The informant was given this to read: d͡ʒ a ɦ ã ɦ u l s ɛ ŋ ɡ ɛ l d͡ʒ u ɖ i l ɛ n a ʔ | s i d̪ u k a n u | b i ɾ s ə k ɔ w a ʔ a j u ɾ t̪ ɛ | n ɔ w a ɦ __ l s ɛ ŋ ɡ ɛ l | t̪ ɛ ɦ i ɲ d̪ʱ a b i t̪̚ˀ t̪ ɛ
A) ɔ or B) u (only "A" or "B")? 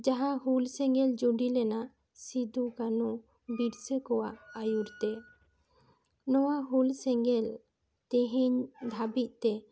B